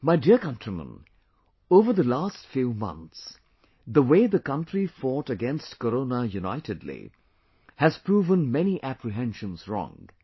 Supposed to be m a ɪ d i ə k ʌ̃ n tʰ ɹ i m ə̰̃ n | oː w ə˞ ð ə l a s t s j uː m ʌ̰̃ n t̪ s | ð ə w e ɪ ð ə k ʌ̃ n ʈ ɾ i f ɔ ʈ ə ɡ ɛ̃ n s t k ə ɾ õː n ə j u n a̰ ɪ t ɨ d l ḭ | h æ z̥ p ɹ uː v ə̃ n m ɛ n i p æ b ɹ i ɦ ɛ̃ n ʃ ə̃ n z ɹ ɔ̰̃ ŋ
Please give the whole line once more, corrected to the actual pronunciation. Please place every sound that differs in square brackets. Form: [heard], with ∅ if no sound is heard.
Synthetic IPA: m a ɪ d i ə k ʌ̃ n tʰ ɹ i m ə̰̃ n | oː [v] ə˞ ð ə l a s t [f] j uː m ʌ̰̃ n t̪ s | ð ə w e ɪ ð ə k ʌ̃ n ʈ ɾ i f ɔ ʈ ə ɡ ɛ̃ n s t k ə ɾ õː n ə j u n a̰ ɪ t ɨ d l ḭ | h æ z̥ p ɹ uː v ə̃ n m ɛ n i [ʔ] æ [p] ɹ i ɦ ɛ̃ n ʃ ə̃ n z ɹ ɔ̰̃ ŋ